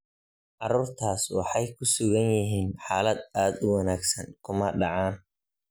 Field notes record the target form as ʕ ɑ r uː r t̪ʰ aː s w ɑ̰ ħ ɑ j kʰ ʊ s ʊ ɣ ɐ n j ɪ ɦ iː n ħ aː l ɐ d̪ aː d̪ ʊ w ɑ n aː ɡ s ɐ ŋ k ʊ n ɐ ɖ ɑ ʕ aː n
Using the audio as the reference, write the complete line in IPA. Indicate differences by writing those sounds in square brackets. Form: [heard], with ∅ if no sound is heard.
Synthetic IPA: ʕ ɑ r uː r t̪ʰ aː s w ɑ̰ ħ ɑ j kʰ ʊ s ʊ ɣ ɐ n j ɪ ɦ iː n ħ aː l ɐ d̪ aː d̪ ʊ w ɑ n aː ɡ s ɐ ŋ [kʰ] ʊ [m] ɐ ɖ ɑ ʕ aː n

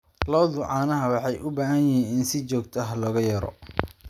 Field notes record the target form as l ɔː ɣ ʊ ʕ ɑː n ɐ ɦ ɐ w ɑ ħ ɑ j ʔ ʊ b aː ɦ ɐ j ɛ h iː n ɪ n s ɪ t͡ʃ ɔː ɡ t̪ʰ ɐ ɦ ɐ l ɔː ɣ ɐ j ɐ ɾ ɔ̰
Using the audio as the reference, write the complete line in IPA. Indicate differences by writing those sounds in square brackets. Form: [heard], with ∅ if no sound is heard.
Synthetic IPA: l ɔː [ð] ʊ ʕ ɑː n ɐ ɦ ɐ w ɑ ħ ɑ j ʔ ʊ b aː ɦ ɐ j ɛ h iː n ɪ n s ɪ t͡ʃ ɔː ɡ t̪ʰ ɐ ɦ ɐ l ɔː ɣ ɐ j ɐ ɾ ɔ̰

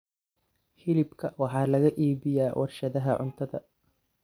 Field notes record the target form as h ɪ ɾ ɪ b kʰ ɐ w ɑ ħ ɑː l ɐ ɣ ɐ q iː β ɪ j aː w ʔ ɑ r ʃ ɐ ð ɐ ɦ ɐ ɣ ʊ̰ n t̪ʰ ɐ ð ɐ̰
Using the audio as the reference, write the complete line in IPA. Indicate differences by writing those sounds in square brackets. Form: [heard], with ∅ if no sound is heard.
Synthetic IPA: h ɪ [l] ɪ b kʰ ɐ w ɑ ħ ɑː l ɐ ɣ ɐ [ʔ] iː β ɪ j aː w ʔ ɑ r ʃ ɐ ð ɐ ɦ ɐ [ʕ] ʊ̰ n t̪ʰ ɐ ð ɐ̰

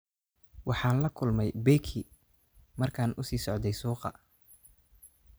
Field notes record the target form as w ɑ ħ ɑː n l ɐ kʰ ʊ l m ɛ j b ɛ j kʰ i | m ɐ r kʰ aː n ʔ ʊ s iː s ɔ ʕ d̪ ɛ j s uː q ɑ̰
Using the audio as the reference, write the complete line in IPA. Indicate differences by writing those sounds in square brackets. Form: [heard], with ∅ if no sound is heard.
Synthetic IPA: w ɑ ħ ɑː n l ɐ kʰ ʊ l m ɛ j b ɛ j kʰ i | m ɐ r kʰ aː n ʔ ʊ s iː s ɔ ʕ d̪ ɛ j s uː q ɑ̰

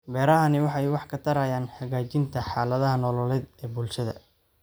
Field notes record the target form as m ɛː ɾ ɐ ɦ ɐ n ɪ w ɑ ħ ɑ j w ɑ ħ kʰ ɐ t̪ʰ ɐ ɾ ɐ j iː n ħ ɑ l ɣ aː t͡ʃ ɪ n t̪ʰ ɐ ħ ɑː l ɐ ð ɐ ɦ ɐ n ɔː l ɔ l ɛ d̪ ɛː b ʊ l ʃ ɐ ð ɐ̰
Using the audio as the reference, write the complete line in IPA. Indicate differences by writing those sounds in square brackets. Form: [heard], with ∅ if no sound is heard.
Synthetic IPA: [b] ɛː ɾ ɐ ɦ ɐ n ɪ w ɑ ħ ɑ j w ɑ ħ kʰ ɐ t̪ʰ ɐ ɾ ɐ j [aː] n ħ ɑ [∅] ɣ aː t͡ʃ ɪ n t̪ʰ ɐ ħ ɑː l ɐ ð ɐ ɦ ɐ n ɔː l ɔ l ɛ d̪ ɛː b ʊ l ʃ ɐ ð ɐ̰

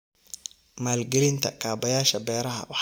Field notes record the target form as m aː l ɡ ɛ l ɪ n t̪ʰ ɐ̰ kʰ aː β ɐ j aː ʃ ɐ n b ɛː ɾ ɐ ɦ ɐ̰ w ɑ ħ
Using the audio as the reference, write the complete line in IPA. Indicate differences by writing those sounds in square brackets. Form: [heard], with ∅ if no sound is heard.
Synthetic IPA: m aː l ɡ ɛ l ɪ n t̪ʰ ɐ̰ kʰ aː [b] ɐ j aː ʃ ɐ [∅] b ɛː ɾ ɐ ɦ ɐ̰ w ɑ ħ

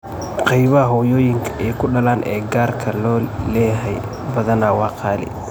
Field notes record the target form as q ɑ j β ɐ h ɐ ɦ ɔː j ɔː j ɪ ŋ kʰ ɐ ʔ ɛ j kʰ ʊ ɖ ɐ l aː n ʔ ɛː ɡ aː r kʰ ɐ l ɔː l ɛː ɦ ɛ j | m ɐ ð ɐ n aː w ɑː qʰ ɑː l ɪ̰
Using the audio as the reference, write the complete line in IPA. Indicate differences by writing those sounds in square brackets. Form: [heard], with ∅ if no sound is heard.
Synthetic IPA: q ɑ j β ɐ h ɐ ɦ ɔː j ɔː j ɪ ŋ kʰ ɐ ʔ ɛ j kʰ ʊ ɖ ɐ l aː n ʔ ɛː ɡ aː r kʰ ɐ l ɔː l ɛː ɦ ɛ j | [b] ɐ ð ɐ n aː w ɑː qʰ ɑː l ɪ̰

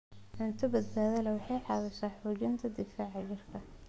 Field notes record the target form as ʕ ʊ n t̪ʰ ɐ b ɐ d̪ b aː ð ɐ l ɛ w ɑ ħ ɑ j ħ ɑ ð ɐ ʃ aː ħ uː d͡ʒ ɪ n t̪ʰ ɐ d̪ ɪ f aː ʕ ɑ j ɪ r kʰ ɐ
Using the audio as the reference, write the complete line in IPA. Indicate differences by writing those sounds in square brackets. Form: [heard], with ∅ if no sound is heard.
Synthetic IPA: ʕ ʊ n t̪ʰ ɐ b ɐ d̪ b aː ð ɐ l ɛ w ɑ ħ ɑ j ħ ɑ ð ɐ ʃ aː ħ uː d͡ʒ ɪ n t̪ʰ ɐ d̪ ɪ f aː ʕ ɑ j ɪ r kʰ ɐ

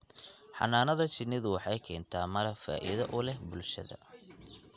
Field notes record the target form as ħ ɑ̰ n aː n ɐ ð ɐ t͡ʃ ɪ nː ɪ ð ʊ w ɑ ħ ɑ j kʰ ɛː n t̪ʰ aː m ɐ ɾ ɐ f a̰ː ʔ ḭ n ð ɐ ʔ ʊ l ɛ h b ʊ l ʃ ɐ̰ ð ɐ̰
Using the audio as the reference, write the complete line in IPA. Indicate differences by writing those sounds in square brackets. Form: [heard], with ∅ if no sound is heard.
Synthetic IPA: ħ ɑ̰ n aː n ɐ ð ɐ t͡ʃ ɪ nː ɪ ð ʊ w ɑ ħ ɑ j kʰ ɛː n t̪ʰ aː m ɐ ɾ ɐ f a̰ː ʔ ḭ [∅] ð ɐ ʔ ʊ l ɛ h b ʊ l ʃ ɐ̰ ð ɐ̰

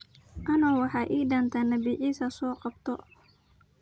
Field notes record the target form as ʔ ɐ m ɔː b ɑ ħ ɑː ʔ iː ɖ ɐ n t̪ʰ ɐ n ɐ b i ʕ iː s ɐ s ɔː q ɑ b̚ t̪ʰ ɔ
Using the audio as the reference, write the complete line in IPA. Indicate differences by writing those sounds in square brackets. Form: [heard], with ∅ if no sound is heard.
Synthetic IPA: ʔ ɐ [n] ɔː [w] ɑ ħ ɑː ʔ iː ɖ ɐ n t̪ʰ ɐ n ɐ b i ʕ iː s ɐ s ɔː q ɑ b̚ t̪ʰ ɔ

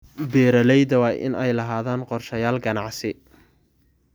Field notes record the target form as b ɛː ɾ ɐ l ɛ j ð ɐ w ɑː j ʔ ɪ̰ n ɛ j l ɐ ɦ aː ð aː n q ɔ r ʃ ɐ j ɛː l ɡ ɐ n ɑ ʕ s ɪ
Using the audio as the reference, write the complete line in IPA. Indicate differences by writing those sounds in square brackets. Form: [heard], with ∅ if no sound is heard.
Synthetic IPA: b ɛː ɾ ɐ l ɛ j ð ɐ w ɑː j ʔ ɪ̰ n ɛ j l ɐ ɦ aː ð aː n q ɔ r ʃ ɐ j [aː] l ɡ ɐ n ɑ ʕ s ɪ

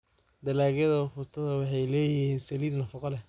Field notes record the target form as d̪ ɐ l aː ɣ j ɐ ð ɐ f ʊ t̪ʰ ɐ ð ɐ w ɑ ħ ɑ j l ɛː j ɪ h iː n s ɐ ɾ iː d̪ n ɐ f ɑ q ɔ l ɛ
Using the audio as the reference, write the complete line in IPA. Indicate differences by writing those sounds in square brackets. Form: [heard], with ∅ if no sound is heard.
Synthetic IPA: d̪ ɐ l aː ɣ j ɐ ð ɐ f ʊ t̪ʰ ɐ ð ɐ w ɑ ħ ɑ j l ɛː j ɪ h iː n s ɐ [l] iː d̪ n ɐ f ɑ q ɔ l ɛ

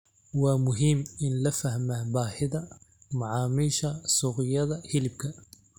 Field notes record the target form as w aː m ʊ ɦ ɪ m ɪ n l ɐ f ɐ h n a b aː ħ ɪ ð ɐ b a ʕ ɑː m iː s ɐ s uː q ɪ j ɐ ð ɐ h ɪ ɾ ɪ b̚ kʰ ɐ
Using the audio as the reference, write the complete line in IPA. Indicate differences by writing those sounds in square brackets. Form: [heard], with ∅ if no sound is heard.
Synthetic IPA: w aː m ʊ ɦ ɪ m ɪ n l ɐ f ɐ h [m] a b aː ħ ɪ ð ɐ [m] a ʕ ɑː m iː [ʃ] ɐ s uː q ɪ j ɐ ð ɐ h ɪ [l] ɪ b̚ kʰ ɐ

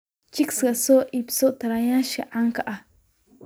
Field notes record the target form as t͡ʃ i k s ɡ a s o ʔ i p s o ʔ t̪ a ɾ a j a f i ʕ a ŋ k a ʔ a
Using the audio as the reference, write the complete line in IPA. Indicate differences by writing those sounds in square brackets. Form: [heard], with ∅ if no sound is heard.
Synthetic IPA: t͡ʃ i k s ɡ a s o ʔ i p s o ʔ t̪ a ɾ a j a [ʃ] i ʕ a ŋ k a ʔ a

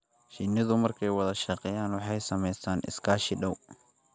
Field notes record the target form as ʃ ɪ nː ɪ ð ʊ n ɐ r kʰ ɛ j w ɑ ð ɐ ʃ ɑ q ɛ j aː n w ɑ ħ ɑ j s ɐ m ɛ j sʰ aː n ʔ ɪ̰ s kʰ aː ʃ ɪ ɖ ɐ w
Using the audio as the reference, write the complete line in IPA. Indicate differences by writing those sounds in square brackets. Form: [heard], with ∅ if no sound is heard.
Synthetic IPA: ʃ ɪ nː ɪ ð ʊ [m] ɐ r kʰ ɛ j w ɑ ð ɐ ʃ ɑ q ɛ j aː n w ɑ ħ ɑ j s ɐ m ɛ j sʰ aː n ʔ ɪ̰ s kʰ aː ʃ ɪ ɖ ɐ w

